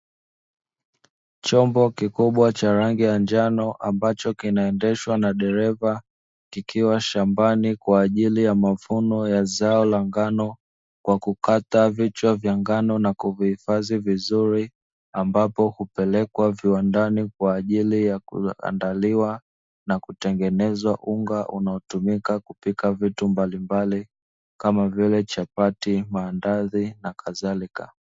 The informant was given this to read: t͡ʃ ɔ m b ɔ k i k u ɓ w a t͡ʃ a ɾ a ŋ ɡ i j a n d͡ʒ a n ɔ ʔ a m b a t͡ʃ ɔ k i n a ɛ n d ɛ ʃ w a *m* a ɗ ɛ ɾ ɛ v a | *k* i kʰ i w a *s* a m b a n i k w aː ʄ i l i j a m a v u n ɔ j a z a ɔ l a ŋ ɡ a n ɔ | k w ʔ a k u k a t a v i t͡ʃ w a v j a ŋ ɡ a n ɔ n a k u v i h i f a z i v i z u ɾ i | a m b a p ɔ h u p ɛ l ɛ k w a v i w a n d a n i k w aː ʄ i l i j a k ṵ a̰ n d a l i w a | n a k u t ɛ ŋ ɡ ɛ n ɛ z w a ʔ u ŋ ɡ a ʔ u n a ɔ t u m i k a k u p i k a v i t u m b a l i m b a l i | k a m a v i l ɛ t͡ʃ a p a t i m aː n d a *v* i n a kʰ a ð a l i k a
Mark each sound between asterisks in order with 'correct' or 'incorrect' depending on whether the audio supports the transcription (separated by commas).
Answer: incorrect, correct, incorrect, incorrect